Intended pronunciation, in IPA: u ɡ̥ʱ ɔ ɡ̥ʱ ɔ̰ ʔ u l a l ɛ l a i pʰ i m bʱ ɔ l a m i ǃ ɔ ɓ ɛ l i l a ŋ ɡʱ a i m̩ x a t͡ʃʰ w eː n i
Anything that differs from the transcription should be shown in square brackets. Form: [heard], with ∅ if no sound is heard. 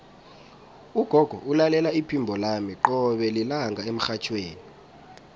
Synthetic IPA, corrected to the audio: u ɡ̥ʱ ɔ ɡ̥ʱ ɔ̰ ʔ u l a l ɛ l a i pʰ i m bʱ ɔ l a m i ǃ ɔ ɓ ɛ l i l a ŋ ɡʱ a [e] m̩ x a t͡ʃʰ w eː n i